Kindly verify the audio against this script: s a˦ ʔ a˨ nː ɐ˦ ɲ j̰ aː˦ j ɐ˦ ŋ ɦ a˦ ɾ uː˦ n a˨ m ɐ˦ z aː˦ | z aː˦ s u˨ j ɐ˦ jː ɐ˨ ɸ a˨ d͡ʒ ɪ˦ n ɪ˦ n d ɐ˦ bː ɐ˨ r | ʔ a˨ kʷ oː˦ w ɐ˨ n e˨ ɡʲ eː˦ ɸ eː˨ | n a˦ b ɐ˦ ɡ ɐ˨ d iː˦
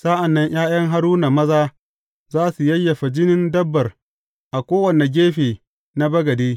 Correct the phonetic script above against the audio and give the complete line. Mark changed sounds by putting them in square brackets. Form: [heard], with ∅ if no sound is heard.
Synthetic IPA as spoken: s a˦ ʔ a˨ nː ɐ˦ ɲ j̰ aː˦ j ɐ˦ ŋ ɦ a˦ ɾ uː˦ n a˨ m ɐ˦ z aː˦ | z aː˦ s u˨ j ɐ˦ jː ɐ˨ ɸ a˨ d͡ʒ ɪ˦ n ɪ˦ n d ɐ˦ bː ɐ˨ r | ʔ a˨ kʷ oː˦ w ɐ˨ n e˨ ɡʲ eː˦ ɸ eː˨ | n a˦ b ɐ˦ ɡ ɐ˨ d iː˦